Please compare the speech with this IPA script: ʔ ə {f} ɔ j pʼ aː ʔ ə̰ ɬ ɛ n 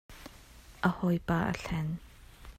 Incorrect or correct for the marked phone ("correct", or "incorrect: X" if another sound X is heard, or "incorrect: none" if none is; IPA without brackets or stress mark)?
incorrect: h